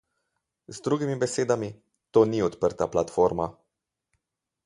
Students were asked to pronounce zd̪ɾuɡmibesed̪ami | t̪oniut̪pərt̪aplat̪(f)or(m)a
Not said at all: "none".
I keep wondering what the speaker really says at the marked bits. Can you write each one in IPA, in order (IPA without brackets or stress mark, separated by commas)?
f, m